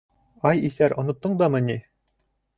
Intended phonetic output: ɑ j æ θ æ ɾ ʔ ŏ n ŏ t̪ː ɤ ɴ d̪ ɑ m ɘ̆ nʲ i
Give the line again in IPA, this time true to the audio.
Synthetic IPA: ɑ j i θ æ ɾ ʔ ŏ n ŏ t̪ː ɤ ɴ d̪ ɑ m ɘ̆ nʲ i

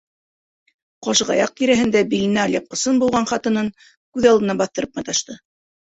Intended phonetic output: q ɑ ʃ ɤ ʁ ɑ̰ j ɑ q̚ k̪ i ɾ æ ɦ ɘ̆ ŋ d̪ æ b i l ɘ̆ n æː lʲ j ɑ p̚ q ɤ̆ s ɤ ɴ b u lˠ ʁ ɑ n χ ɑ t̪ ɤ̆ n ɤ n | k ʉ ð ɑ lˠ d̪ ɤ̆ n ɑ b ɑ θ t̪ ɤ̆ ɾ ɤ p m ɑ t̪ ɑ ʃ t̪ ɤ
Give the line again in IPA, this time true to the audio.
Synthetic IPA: q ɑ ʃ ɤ ʁ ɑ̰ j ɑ q̚ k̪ i ɾ æ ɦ ɘ̆ n d̪ æ b i l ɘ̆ n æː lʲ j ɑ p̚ q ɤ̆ s ɤ n b u lˠ ʁ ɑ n χ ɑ t̪ ɤ̆ n ɤ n | k ʉ ð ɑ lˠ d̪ ɤ̆ n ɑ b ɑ θ t̪ ɤ̆ ɾ ɤ p m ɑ t̪ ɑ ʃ t̪ ɤ

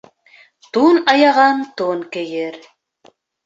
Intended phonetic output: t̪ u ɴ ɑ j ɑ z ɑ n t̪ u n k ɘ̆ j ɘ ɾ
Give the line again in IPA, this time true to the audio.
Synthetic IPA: t̪ u n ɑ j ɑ ʁ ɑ n t̪ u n k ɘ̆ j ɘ ɾ

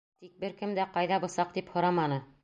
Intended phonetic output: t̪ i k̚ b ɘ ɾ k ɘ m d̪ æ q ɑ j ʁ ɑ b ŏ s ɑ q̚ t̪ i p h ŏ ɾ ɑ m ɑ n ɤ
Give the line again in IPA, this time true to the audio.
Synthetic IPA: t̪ i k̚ b ɘ ɾ k ɘ m d̪ æ q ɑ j ð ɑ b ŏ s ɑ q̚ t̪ i p h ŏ ɾ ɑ m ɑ n ɤ

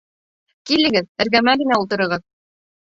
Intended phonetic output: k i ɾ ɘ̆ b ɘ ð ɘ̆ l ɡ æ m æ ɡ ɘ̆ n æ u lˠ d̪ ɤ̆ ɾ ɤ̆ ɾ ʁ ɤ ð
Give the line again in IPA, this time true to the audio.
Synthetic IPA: k i l ɘ̆ ɡ ɘ ð ɘ̆ ɾ ɡ æ m æ ɡ ɘ̆ n æ u lˠ t̪ ɤ̆ ɾ ɤ̆ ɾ ʁ ɤ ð

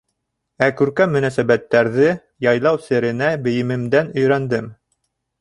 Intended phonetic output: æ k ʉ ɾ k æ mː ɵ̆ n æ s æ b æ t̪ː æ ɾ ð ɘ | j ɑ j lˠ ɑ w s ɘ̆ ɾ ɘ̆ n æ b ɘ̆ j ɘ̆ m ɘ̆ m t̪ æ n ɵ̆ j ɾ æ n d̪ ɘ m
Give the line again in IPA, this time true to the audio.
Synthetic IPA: æ k ʉ ɾ k æ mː ɵ̆ n æ s æ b æ t̪ː æ ɾ ð ɘ | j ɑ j lˠ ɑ w s ɘ̆ ɾ ɘ̆ n æ b ɘ̆ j ɘ̆ m ɘ̆ m d̪ æ n ɵ̆ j ɾ æ n d̪ ɘ m

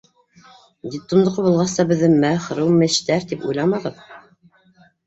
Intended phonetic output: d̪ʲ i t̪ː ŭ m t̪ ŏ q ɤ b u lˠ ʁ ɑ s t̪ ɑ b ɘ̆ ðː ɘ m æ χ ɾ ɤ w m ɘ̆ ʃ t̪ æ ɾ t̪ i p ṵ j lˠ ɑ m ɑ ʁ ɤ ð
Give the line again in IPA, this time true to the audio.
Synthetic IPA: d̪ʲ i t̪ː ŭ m d̪ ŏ q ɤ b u lˠ ʁ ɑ s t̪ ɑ b ɘ̆ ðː ɘ m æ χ ɾ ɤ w m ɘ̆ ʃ t̪ æ ɾ t̪ i p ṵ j lˠ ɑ m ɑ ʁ ɤ ð

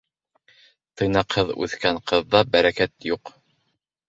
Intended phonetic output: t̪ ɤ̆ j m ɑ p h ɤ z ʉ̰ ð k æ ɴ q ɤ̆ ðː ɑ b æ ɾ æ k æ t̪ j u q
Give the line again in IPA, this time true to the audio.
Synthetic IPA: t̪ ɤ̆ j n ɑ q h ɤ ð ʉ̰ θ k æ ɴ q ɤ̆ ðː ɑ b æ ɾ æ k æ t̪ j u q

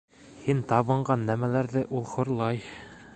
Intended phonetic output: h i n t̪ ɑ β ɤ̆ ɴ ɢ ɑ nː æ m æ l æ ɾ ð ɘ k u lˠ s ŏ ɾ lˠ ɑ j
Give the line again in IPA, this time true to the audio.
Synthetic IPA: h i n t̪ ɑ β ɤ̆ ɴ ɢ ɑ nː æ m æ l æ ɾ ð ɘ ʔ u lˠ χ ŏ ɾ lˠ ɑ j

